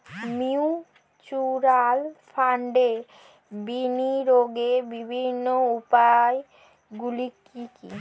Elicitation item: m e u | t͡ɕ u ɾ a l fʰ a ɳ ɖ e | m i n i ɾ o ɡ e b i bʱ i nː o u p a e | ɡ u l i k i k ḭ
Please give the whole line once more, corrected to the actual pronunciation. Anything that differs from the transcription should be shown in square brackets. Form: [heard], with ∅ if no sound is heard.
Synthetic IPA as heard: m [i] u | t͡ɕ u ɾ a l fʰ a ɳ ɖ e | [b] i n i ɾ o ɡ e b i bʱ i nː o u p a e | ɡ u l i k i k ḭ